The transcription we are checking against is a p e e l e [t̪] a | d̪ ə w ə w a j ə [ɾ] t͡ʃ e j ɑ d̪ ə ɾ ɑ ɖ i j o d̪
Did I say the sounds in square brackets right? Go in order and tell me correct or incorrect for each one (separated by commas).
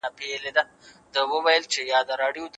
incorrect, incorrect